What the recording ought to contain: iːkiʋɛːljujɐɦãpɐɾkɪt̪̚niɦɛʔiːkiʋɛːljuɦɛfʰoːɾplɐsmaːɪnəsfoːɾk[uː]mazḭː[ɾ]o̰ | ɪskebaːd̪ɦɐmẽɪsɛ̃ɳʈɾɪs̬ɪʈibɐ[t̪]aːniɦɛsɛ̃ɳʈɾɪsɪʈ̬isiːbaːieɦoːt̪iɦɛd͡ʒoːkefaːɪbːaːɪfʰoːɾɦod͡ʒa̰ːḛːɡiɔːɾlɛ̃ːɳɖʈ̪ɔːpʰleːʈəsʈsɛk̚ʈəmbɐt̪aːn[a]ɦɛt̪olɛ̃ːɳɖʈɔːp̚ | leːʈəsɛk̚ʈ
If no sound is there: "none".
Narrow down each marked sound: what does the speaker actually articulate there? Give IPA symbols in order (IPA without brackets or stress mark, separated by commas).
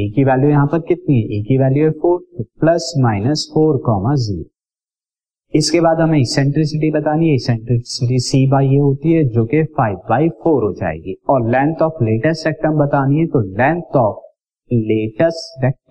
ɔː, ɾ, t̪, i